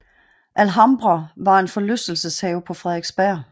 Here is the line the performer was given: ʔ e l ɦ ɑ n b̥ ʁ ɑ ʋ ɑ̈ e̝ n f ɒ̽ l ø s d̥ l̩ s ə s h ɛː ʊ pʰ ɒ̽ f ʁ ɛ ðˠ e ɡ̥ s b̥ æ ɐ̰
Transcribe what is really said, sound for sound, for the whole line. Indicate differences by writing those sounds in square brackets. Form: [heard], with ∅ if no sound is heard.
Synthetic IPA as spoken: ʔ [æ] l ɦ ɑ [m] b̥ ʁ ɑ ʋ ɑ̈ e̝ n f ɒ̽ l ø s d̥ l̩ s ə s h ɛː ʊ pʰ ɒ̽ f ʁ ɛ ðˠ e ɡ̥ s b̥ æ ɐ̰